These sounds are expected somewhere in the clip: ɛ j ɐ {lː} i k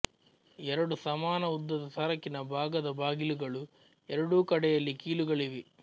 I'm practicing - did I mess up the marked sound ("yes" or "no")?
no